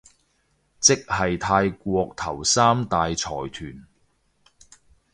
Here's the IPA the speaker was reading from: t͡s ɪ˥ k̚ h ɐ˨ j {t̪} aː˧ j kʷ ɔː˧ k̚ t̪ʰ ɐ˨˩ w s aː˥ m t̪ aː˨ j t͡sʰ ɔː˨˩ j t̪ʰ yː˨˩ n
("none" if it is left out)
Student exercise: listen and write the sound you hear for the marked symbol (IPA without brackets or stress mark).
t̪ʰ